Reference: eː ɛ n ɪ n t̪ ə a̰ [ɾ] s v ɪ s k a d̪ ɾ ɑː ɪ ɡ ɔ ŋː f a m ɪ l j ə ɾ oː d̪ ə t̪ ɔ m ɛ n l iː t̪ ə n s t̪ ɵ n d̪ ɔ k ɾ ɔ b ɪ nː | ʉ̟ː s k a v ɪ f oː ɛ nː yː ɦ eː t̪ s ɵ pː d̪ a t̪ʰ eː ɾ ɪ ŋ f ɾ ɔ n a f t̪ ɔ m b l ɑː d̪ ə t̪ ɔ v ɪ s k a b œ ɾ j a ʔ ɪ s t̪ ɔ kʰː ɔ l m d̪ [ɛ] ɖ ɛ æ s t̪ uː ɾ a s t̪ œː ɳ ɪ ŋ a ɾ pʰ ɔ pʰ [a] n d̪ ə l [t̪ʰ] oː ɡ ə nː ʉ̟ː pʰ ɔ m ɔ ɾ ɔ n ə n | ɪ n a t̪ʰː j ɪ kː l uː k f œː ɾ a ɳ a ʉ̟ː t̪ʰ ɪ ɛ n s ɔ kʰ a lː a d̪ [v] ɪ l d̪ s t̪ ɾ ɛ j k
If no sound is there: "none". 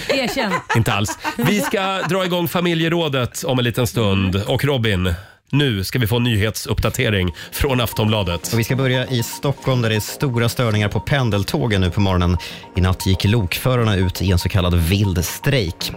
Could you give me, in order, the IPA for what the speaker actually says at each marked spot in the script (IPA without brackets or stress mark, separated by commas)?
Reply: l, æ, ɛ, t̪ʰ, v